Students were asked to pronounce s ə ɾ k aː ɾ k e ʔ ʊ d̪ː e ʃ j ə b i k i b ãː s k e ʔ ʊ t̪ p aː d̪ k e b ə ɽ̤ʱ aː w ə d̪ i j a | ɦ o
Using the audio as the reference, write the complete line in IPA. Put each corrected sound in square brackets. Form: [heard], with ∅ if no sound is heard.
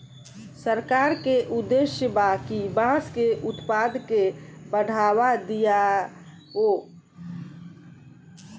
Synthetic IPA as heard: s ə ɾ k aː ɾ k e ʔ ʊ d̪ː e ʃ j ə b [a] k i b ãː s k e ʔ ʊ t̪ p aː d̪ k e b ə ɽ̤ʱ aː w [a] d̪ i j a | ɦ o